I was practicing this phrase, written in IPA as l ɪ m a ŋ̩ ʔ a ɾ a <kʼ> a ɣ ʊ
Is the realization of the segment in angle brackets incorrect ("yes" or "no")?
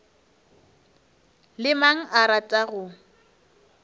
yes